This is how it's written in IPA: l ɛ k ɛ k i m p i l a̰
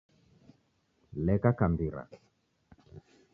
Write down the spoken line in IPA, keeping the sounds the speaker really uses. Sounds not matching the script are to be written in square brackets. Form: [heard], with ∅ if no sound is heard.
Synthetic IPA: l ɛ k [a] k [a] m [b] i [ɾ] a̰